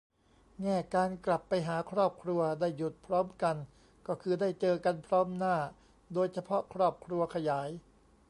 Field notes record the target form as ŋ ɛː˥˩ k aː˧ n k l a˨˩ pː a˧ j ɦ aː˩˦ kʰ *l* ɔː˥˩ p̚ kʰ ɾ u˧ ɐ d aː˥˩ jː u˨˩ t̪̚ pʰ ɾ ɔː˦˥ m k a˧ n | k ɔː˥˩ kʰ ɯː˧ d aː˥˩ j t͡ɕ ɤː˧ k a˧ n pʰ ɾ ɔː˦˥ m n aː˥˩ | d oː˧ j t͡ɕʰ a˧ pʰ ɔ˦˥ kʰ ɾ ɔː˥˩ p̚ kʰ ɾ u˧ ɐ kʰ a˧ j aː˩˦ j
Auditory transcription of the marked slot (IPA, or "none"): ɾ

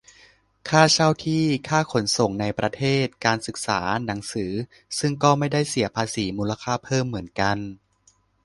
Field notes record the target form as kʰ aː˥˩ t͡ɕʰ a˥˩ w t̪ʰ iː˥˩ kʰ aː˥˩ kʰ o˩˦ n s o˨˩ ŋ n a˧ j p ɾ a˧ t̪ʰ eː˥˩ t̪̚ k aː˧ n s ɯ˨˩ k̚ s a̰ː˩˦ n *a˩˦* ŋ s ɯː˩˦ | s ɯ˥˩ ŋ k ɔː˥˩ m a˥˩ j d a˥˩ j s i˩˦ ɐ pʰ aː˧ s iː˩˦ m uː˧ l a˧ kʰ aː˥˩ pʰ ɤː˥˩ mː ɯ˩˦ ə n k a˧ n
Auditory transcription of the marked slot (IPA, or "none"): a˩˦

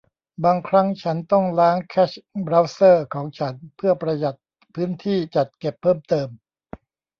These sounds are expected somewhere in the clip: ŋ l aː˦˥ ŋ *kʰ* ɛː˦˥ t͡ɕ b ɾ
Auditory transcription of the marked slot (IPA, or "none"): kʰ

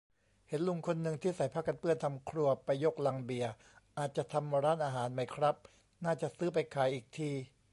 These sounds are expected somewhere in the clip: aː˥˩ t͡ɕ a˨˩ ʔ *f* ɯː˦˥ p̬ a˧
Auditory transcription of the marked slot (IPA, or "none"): s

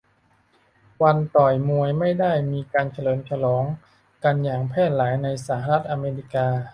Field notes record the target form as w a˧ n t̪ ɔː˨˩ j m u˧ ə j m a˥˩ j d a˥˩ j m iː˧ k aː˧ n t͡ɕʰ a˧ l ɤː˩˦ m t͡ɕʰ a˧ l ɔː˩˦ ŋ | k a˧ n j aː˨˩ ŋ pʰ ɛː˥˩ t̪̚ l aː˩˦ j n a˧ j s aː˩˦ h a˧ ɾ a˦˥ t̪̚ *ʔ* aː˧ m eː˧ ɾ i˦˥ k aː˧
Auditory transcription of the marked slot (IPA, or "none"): ʔ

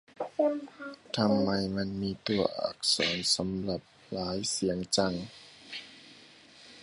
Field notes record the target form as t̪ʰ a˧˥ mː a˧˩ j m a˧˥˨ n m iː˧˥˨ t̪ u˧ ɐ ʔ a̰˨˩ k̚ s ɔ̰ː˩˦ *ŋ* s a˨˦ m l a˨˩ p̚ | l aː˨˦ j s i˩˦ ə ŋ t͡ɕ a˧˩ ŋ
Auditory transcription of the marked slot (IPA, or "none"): n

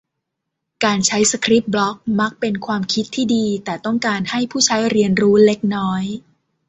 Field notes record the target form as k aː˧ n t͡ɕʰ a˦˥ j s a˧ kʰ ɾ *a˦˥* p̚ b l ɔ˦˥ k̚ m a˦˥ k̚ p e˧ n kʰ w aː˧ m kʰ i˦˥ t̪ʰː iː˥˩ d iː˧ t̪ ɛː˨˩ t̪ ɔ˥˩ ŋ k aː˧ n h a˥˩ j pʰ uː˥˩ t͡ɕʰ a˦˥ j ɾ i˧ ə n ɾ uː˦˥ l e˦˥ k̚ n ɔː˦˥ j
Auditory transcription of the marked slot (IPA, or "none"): i˦˥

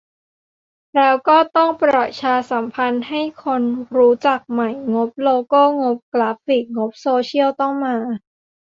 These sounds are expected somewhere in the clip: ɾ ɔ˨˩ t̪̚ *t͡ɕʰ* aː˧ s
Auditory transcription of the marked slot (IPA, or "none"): t͡ɕʰ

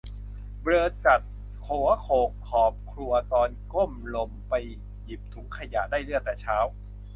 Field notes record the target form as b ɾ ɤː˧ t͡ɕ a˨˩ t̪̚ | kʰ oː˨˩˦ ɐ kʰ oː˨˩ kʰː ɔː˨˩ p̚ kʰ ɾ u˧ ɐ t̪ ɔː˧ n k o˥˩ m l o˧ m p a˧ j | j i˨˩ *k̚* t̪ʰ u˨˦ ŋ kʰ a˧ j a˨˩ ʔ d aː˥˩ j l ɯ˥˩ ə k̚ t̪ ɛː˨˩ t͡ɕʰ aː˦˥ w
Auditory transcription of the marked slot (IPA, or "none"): p̚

